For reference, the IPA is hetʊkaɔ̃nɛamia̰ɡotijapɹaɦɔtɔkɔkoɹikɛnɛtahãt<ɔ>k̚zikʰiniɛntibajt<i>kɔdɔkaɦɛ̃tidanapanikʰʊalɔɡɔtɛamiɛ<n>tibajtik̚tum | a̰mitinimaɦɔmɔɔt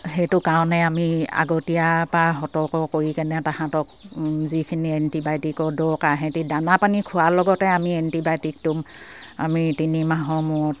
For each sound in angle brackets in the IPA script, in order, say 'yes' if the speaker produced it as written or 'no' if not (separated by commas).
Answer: yes, yes, yes